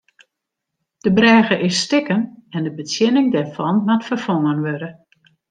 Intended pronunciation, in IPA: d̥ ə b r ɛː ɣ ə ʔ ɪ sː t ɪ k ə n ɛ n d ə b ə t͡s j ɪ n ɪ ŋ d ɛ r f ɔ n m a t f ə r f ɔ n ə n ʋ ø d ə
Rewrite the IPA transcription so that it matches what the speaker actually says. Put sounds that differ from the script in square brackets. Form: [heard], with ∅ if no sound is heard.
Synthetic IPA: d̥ ə b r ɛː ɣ ə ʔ ɪ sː t ɪ k ə n ɛ n d ə b ə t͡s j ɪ n ɪ ŋ d ɛ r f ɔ n m a t f ə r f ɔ [ŋ] ə n ʋ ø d ə